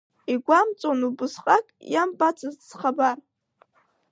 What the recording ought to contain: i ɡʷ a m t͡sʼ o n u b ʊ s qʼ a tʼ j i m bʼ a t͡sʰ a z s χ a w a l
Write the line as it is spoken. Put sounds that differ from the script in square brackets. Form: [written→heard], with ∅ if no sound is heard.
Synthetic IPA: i ɡʷ a m t͡sʼ o n u b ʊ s qʼ a [tʼ→kʼ] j [i→a] m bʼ a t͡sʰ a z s χ a [w→b] a [l→r]

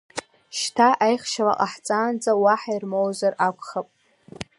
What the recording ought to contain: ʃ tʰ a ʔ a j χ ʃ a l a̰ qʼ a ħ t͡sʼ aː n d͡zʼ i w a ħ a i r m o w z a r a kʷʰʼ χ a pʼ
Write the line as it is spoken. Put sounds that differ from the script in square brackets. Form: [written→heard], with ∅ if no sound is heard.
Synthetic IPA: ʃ tʰ a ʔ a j χ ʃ a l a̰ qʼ a ħ t͡sʼ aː n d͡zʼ [i→a] w a ħ a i r m o w z a r a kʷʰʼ χ a pʼ

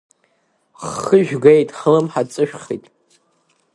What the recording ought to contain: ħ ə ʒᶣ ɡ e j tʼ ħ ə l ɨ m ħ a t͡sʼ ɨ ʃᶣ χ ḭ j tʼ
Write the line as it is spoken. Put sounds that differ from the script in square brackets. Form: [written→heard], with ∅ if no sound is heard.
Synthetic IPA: [ħ→χ] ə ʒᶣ ɡ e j tʼ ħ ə l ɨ m ħ a t͡sʼ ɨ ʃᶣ χ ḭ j tʼ

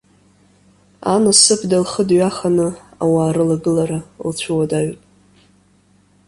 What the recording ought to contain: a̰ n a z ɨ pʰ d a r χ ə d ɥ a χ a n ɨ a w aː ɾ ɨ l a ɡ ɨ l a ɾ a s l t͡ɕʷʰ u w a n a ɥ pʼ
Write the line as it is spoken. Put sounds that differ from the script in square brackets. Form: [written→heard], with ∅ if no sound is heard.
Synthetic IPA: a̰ n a [z→s] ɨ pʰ d a [r→l] χ ə d ɥ a χ a n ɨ a w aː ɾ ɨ l a ɡ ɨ l a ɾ a [s→∅] l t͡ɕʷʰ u w a [n→d] a ɥ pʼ

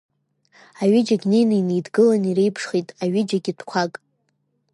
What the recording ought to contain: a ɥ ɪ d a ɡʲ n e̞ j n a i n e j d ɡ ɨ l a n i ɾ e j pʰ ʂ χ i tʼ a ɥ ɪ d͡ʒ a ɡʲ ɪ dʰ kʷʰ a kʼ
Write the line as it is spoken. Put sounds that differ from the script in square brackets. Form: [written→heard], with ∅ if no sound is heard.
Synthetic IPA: a ɥ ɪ [d→d͡ʒ] a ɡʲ n e̞ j n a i n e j d ɡ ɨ l a n i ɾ e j pʰ ʂ χ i tʼ a ɥ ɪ d͡ʒ a ɡʲ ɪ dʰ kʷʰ a kʼ

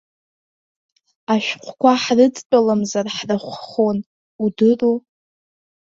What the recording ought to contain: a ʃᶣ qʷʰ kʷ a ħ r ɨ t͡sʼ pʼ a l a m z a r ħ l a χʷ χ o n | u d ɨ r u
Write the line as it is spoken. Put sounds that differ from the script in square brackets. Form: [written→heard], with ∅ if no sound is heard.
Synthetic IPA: a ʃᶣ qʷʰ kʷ a ħ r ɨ t͡sʼ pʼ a l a m z a r ħ [l→r] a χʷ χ o n | u d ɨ r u

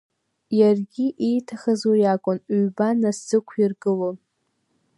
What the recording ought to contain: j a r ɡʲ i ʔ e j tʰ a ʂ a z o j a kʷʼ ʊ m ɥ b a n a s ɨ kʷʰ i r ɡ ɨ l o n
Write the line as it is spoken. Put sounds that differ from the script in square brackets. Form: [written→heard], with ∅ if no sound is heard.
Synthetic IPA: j a r ɡʲ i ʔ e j tʰ a [ʂ→χ] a z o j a kʷʼ ʊ [m→n] ɥ b a n a s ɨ kʷʰ i r ɡ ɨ l o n

